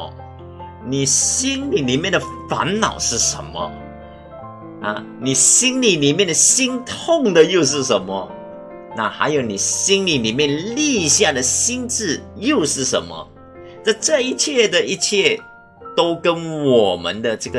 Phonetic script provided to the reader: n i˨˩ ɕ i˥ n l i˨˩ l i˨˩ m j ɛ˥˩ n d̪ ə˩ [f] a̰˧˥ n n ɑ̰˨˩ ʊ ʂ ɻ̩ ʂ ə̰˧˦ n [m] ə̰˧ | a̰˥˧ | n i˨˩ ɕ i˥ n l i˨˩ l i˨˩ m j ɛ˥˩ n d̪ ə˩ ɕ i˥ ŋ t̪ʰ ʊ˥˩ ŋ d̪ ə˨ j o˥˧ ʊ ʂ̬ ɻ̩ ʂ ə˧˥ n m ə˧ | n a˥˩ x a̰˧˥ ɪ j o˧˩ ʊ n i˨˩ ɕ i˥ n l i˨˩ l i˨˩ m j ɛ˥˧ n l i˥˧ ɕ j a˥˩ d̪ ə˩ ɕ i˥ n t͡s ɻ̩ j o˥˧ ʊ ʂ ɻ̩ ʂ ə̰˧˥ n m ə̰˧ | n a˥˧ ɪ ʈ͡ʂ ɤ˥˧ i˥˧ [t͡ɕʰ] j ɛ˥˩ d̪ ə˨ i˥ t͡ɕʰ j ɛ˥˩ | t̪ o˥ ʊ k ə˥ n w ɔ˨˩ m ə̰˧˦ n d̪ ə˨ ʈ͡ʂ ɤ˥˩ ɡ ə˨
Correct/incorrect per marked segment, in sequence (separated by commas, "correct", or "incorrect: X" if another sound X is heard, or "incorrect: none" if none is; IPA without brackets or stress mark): correct, correct, correct